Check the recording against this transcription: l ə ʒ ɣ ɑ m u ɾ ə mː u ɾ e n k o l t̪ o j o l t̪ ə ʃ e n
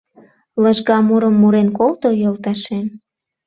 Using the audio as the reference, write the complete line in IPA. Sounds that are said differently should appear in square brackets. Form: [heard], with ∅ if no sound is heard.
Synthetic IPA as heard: l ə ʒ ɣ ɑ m u ɾ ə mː u ɾ e n k o l t̪ o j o l t̪ [ɑ] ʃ e n